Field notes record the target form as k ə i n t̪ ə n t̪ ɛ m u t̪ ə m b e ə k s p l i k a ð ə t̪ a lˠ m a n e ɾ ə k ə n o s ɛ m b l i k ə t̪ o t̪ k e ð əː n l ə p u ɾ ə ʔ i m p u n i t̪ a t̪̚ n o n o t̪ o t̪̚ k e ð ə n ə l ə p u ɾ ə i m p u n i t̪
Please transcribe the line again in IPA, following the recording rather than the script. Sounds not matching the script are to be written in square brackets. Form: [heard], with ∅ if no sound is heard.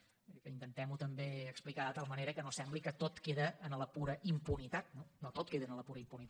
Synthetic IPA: k ə i n t̪ ə n t̪ ɛ m u t̪ ə m b e ə k s p l i k a ð ə t̪ a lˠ m [ə] n e ɾ ə k ə n o s ɛ m b l i k ə t̪ o t̪ k e ð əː n l ə p u ɾ ə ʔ i m p u n i t̪ a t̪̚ n o n o t̪ o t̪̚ k e ð ə n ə l ə p u ɾ ə i m p u n i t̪